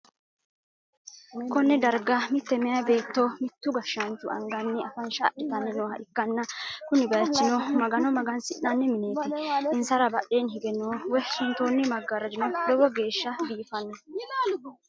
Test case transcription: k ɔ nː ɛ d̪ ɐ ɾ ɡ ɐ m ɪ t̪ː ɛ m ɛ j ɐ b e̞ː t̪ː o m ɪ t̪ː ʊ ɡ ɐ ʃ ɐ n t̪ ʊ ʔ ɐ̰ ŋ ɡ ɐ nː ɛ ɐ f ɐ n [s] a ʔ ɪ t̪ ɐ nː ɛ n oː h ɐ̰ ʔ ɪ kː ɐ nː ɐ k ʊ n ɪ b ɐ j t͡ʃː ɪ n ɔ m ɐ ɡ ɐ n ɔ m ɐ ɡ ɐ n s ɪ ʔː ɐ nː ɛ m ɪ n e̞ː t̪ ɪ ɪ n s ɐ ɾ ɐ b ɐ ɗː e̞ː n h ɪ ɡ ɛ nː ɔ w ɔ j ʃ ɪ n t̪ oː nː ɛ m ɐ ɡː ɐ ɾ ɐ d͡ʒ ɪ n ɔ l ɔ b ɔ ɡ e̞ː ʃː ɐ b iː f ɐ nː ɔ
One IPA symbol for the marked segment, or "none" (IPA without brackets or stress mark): ʃ